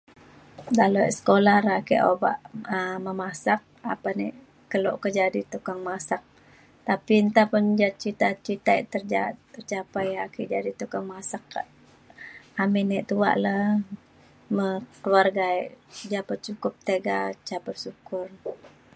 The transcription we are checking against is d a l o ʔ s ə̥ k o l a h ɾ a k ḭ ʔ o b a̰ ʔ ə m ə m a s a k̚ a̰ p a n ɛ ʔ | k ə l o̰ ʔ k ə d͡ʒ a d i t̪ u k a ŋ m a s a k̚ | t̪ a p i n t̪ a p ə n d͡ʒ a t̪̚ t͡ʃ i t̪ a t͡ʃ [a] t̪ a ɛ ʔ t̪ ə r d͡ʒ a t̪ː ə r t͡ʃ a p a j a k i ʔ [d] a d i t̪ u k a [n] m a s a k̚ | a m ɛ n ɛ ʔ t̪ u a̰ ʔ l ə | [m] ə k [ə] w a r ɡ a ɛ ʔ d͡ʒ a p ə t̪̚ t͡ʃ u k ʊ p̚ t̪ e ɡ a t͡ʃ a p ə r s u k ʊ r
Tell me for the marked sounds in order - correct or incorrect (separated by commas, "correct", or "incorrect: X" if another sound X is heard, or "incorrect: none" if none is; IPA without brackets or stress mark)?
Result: incorrect: i, incorrect: d͡ʒ, incorrect: ŋ, correct, correct